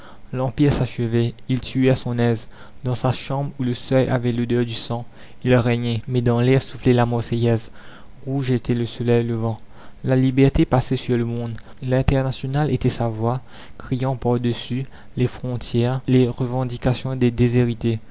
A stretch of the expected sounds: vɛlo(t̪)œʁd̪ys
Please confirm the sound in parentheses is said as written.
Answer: no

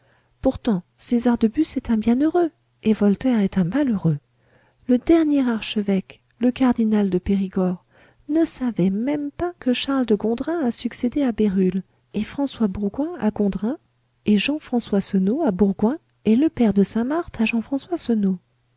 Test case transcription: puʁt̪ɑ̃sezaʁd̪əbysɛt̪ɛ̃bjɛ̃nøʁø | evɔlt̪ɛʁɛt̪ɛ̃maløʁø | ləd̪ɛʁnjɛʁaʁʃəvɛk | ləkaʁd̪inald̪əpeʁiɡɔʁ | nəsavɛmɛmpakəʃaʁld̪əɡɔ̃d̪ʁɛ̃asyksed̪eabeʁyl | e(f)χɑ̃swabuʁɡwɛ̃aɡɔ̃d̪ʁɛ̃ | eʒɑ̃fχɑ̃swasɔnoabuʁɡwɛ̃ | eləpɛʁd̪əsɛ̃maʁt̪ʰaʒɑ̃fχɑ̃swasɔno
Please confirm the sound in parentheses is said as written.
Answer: yes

